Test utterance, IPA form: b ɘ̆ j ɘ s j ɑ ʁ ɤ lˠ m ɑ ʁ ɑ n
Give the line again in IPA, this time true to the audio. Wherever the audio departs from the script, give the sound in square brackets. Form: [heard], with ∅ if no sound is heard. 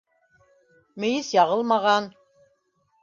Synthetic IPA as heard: [m] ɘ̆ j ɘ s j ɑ ʁ ɤ lˠ m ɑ ʁ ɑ n